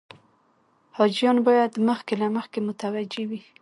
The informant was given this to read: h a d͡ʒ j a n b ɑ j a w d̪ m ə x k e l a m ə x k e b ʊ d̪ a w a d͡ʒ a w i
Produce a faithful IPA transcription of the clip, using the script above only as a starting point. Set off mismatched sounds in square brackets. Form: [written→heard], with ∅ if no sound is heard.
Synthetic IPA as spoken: h [a→ɑ] d͡ʒ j [a→ɑ] n b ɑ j a [w→∅] d̪ m ə x k e l a m ə x k e [b→m] ʊ [d̪→t̪] a w a d͡ʒ [a→e] w i